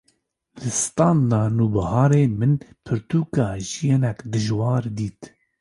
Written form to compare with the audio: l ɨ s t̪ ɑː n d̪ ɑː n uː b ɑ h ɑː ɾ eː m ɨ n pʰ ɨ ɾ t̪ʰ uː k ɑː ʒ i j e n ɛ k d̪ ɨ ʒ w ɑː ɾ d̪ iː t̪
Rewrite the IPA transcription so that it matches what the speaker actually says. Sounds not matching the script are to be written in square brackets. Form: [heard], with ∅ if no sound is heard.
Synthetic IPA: l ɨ s t̪ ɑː n d̪ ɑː n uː b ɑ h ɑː ɾ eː m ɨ n pʰ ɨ ɾ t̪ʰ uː k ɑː ʒ i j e n ɛ k d̪ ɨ ʒ w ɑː ɾ d̪ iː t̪